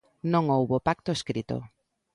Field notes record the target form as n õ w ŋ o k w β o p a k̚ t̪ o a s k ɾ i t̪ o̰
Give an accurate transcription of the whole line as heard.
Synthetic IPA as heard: n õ ŋ o w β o p a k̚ t̪ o e s k ɾ i t̪ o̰

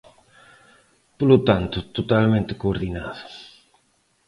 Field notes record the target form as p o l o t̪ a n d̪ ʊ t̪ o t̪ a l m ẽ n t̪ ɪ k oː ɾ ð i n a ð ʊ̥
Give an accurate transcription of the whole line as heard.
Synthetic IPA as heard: p o l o t̪ a n t̪ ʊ t̪ o t̪ a l m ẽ n t̪ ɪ k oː ɾ ð i n a ð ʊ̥

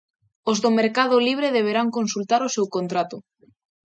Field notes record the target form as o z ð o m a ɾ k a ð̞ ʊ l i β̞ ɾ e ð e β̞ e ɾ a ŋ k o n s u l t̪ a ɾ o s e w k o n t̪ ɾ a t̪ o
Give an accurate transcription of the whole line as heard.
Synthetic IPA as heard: o z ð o m e ɾ k a ð̞ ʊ l i β̞ ɾ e ð e β̞ e ɾ a ŋ k o n s u l t̪ a ɾ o s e w k o n t̪ ɾ a t̪ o

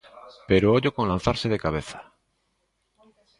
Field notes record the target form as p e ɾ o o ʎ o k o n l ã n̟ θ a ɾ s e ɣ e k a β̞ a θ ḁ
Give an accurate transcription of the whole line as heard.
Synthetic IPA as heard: p e ɾ o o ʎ o k o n l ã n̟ θ a ɾ s e ð e k a β̞ e θ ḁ

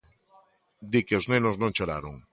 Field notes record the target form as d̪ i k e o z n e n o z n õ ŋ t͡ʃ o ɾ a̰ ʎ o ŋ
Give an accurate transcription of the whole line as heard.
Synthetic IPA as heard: d̪ i k e o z n e n o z n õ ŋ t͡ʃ o ɾ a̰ ɾ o ŋ

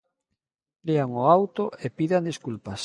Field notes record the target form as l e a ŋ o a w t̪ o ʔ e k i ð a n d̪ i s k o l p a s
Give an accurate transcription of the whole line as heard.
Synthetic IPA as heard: l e a ŋ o a w t̪ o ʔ e p i ð a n d̪ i s k u l p a s

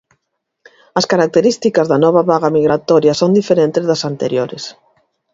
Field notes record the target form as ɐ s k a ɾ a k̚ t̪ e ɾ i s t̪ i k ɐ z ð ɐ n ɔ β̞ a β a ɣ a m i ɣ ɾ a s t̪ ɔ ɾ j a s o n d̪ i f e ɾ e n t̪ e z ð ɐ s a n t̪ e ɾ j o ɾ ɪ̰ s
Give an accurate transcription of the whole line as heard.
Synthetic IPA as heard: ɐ s k a ɾ a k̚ t̪ e ɾ i s t̪ i k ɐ z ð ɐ n ɔ β̞ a β a ɣ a m i ɣ ɾ a t̪ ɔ ɾ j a s o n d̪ i f e ɾ e n t̪ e z ð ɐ s a n t̪ e ɾ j o ɾ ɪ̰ s

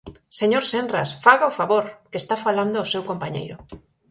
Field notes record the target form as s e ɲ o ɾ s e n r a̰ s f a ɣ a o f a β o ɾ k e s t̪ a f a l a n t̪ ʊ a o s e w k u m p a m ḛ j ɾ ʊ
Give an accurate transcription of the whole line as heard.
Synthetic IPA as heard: s e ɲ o ɾ s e n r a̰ s f a ɣ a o f a β o ɾ k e s t̪ a f a l a n d̪ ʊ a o s e w k o m p a ɲ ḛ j ɾ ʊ

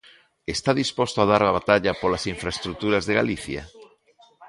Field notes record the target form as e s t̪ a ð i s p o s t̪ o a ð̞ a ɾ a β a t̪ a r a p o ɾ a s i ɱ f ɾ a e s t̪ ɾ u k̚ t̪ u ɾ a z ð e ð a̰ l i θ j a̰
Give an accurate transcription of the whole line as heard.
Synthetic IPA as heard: e s t̪ a ð i s p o s t̪ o a ð̞ a ɾ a β a t̪ a ʎ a p o l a s i ɱ f ɾ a e s t̪ ɾ u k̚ t̪ u ɾ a z ð e ɣ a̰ l i θ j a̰

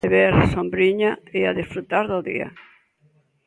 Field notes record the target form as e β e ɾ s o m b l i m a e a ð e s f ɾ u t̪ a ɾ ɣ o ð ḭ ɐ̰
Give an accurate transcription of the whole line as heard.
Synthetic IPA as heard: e β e ɾ s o m b ɾ i ɲ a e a ð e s f ɾ u t̪ a ɾ ð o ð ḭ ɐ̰

